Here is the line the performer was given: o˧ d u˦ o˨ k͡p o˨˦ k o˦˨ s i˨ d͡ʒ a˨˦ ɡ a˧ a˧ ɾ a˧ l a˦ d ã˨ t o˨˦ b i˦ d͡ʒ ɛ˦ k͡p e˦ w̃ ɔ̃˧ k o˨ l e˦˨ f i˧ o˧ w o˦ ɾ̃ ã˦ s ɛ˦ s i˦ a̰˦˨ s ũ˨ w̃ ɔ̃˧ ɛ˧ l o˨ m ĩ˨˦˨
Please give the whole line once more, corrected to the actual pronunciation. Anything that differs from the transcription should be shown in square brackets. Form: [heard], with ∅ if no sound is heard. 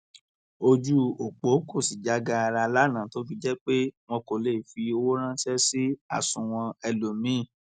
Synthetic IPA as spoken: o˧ [d͡ʒ] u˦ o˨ k͡p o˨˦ k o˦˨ s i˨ d͡ʒ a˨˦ ɡ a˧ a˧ ɾ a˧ l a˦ [n] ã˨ t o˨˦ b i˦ d͡ʒ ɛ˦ k͡p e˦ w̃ ɔ̃˧ k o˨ l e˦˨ f i˧ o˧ w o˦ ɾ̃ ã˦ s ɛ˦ s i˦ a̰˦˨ s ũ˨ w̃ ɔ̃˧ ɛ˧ l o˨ m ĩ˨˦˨

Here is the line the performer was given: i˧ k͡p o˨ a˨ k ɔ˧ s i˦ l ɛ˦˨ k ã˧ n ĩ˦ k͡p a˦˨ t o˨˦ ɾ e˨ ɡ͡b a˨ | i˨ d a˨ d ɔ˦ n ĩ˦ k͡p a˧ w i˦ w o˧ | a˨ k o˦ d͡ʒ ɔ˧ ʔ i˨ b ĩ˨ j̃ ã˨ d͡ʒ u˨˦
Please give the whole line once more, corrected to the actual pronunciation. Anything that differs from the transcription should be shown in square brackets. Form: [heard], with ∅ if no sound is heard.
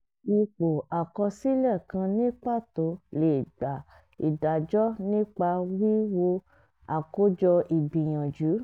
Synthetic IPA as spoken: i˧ k͡p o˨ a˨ k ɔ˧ s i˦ l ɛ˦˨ k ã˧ n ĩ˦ k͡p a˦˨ t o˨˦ [l] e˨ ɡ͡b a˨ | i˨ d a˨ [d͡ʒ] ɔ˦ n ĩ˦ k͡p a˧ w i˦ w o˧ | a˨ k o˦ d͡ʒ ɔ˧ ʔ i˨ b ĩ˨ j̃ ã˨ d͡ʒ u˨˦

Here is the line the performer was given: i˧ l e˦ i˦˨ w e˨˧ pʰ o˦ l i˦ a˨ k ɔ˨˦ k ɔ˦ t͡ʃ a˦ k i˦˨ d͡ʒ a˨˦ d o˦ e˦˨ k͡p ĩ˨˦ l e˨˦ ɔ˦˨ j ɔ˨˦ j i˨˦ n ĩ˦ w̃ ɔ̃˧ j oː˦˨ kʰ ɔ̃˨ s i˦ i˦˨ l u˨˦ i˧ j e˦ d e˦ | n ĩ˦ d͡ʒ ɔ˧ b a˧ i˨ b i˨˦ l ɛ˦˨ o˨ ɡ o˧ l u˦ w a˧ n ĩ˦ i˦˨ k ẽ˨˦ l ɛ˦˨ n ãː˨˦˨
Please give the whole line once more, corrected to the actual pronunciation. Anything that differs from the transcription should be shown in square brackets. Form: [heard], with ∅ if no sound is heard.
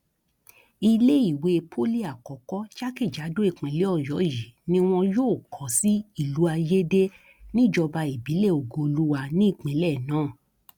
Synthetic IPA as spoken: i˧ l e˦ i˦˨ w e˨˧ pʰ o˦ l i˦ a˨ k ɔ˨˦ k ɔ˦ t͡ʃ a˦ k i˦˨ d͡ʒ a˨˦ d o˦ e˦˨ k͡p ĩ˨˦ l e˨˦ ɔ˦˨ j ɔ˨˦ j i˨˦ n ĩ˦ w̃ ɔ̃˧ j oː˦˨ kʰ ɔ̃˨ s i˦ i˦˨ l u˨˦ [a˧] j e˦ d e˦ | n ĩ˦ d͡ʒ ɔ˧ b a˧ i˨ b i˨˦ l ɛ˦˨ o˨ ɡ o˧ l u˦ w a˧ n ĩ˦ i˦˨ [k͡p] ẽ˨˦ l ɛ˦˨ n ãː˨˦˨

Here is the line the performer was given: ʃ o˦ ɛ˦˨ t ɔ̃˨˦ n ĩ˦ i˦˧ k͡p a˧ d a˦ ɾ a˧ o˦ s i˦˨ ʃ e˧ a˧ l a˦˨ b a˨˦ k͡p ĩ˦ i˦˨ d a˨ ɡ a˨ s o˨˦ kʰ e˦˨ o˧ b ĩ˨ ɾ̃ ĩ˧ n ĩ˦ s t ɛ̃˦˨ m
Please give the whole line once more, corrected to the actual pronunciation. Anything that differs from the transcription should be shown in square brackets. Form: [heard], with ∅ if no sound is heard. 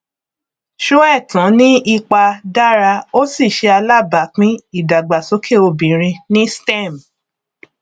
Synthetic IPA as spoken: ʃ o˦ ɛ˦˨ t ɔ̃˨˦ n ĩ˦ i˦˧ k͡p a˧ d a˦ ɾ a˧ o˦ s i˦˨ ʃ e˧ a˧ l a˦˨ b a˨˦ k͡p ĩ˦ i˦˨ d a˨ [ɡ͡b] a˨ s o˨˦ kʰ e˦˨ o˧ b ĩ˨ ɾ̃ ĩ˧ n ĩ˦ s t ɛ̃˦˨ m

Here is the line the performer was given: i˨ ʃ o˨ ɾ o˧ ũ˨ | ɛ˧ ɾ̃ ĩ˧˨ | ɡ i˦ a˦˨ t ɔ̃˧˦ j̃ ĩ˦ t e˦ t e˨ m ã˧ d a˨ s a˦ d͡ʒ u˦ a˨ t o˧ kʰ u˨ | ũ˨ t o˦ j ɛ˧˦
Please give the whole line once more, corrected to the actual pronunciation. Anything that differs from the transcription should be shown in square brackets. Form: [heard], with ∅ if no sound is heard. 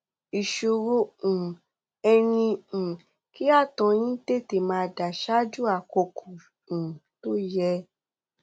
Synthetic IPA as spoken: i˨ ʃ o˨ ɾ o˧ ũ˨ | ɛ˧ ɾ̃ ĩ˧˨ | [k] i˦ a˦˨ t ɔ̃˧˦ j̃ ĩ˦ t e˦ t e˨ m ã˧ d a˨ [ʃ] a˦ d͡ʒ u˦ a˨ [k] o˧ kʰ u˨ | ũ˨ t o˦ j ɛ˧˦

